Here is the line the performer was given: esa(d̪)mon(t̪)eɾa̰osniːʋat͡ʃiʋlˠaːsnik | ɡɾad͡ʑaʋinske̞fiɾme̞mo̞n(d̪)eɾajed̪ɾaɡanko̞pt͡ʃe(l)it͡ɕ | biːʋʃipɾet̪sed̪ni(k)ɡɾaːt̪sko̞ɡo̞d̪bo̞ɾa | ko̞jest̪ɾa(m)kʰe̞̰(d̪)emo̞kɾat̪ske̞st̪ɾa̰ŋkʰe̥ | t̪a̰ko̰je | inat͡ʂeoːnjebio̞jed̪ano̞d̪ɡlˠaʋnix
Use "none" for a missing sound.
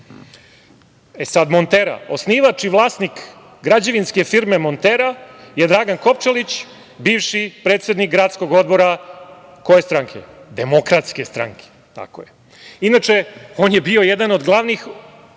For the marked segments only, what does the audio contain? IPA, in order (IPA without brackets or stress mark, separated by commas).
d̪, t̪, t̪, l, k, ŋ, d̪